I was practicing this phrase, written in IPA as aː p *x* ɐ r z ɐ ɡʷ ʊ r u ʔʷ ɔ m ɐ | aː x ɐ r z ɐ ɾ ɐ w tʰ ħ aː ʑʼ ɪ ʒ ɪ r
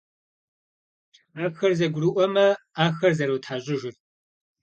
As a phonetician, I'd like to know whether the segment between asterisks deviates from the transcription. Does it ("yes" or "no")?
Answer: no